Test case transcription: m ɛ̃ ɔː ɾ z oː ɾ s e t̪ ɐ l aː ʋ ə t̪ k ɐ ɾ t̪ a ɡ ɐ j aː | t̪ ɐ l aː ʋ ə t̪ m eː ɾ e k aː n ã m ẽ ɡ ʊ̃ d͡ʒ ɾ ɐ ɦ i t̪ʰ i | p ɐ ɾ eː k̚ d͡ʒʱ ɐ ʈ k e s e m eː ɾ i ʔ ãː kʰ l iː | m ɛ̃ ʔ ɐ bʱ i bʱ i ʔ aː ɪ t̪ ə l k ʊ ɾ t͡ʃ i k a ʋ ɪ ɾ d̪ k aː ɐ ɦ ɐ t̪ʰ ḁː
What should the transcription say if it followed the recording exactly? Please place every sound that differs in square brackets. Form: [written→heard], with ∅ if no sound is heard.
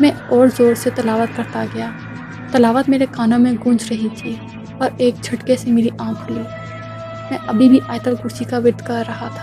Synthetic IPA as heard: m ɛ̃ ɔː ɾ z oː ɾ s e t̪ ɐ l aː ʋ ə t̪ k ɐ ɾ t̪ a ɡ ɐ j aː | t̪ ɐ l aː ʋ ə t̪ m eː ɾ e k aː n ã m ẽ ɡ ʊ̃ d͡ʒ ɾ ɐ ɦ i t̪ʰ i | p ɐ ɾ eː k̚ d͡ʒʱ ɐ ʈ k e s e m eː ɾ i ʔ ãː kʰ l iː | m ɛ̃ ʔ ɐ bʱ i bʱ i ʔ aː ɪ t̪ ə l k ʊ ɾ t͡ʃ i k a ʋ ɪ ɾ d̪ k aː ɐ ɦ [ɐ→a] t̪ʰ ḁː